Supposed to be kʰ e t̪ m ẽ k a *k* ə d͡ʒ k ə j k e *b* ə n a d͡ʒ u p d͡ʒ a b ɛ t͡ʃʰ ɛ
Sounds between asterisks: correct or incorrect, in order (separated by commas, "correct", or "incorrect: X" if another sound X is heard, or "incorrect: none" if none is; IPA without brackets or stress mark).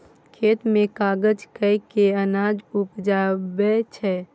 incorrect: ɡ, incorrect: none